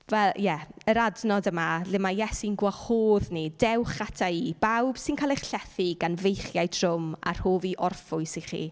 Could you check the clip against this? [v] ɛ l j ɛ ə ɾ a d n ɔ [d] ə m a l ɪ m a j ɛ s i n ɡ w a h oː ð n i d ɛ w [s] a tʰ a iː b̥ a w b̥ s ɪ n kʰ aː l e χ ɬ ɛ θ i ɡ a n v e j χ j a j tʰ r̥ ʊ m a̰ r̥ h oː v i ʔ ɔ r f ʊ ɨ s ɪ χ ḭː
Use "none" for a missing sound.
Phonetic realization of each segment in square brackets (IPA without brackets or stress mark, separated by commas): v, d, χ